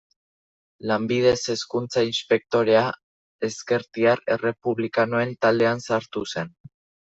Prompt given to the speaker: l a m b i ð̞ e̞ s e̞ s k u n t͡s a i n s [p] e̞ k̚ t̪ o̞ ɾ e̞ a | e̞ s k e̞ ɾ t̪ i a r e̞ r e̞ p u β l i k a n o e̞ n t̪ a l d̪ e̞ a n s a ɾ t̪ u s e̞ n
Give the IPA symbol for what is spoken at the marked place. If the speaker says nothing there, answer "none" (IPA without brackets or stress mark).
p